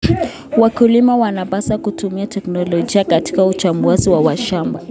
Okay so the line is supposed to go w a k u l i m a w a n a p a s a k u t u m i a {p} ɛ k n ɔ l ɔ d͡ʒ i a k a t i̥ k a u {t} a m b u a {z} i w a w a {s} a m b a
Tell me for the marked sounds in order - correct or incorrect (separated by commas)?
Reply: incorrect, incorrect, correct, incorrect